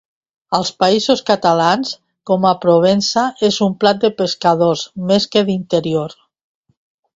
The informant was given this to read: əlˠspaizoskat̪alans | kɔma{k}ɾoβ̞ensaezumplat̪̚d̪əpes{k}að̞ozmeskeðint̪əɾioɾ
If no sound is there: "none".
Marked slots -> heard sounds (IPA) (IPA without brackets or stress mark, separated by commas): p, k